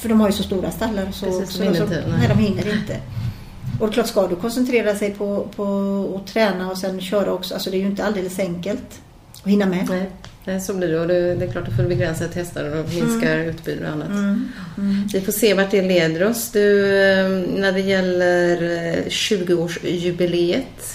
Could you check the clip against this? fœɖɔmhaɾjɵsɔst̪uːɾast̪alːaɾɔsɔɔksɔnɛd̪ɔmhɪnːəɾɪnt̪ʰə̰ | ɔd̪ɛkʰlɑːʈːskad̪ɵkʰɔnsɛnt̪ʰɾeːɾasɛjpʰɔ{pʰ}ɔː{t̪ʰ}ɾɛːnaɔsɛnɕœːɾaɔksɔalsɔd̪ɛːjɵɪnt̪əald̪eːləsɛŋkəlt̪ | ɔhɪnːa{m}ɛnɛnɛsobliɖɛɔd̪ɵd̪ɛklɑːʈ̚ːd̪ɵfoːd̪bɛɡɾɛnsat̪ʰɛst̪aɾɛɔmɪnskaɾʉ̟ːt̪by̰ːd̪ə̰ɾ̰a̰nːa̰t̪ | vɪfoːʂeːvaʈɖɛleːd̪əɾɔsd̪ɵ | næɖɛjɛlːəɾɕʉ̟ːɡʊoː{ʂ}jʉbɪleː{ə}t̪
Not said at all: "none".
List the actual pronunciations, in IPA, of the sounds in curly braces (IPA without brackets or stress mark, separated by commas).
pʰ, t̪ʰ, m, ʂ, ə